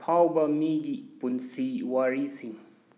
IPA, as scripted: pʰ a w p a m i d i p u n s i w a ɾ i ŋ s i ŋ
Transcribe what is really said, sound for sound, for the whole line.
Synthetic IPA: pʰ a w b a m i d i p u n s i w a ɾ i s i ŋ

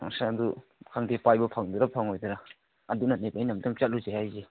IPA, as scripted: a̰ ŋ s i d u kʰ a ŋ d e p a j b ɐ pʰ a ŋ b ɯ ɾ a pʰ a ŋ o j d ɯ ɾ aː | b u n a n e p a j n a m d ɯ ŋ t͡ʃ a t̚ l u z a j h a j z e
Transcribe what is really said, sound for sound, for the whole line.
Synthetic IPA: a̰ ŋ s a d u kʰ a ŋ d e p a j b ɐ pʰ a ŋ d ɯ ɾ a pʰ a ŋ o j d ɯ ɾ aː | d u n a n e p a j n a m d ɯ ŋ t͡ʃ a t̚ l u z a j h a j z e

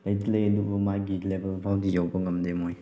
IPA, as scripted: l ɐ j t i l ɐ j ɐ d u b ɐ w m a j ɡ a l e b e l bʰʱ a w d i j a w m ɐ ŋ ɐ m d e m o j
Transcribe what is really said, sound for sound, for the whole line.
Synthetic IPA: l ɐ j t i l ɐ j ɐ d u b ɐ m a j ɡ i l e b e l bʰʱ a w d i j a w b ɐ ŋ ɐ m d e m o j

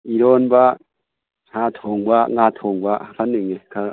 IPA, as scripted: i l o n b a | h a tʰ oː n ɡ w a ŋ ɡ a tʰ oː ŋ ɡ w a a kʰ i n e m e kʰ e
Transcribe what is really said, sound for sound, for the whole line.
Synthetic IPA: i ɾ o n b a | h a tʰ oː ŋ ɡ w a ŋ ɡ a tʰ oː ŋ ɡ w a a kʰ a n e ŋ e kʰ a

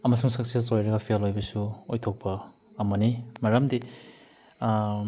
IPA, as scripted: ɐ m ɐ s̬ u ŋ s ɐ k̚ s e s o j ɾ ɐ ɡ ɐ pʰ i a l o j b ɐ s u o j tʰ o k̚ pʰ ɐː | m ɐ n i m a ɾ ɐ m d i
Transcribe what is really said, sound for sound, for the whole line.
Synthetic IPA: ɐ m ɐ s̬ u ŋ s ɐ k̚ s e s o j ɾ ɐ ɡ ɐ pʰ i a l o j b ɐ s u o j tʰ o k̚ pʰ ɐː | m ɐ n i m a ɾ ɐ m d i

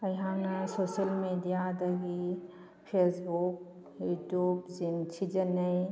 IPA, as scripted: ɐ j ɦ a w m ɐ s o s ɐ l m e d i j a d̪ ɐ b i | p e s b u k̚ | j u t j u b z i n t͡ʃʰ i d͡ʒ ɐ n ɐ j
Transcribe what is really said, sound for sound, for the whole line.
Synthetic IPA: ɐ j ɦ a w n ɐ s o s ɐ l m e d i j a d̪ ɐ ɡ i | pʰ e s b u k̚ | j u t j u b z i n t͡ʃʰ i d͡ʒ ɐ n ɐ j

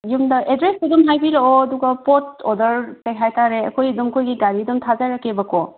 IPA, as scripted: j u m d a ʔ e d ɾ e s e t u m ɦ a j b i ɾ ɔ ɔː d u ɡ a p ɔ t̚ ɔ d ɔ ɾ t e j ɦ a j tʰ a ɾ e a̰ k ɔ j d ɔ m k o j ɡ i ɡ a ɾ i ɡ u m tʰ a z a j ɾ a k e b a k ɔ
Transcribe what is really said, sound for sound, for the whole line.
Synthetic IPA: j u m d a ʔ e d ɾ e s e d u m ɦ a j b i ɾ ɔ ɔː d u ɡ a p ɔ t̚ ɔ d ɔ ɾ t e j ɦ a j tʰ a ɾ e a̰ k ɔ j d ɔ m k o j ɡ i ɡ a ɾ i d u m tʰ a z a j ɾ a k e b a k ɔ

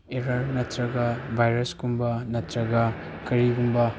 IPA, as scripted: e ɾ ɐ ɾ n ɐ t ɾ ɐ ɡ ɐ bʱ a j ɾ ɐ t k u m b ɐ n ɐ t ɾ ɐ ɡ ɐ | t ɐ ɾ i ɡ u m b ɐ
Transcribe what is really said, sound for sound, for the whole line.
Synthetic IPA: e ɾ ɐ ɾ n ɐ t ɾ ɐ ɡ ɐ bʱ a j ɾ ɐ s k u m b ɐ n ɐ t ɾ ɐ ɡ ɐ | k ɐ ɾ i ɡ u m b ɐ

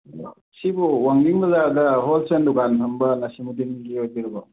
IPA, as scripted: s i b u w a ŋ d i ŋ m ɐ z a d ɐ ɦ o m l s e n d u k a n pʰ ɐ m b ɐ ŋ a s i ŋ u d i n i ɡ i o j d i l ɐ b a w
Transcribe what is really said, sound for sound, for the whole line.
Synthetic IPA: s i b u w a ŋ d i ŋ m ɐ z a d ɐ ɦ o l s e n d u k a n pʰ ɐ m b ɐ n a s i m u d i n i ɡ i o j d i ɾ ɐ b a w

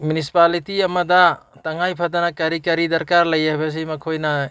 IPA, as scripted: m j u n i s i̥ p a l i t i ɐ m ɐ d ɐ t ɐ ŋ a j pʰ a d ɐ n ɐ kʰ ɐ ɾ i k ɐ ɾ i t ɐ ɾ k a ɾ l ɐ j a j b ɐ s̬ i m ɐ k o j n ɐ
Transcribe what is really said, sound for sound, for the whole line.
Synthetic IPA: m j u n i s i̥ p a l i t i ɐ m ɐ d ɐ t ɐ ŋ a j pʰ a d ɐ n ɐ k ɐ ɾ i k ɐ ɾ i d ɐ ɾ k a ɾ l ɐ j a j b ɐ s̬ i m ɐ kʰ o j n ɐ

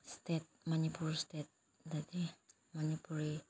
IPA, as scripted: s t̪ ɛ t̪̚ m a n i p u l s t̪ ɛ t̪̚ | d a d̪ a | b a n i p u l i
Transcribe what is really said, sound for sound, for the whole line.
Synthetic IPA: s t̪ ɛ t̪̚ m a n i p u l s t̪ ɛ t̪̚ | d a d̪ i | m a n i p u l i

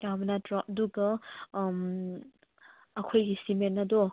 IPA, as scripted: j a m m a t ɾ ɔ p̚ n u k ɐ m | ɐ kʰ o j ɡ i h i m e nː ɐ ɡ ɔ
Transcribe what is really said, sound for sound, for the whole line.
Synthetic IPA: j a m n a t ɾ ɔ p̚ d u ɡ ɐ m | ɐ kʰ o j ɡ i s i m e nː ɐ d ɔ

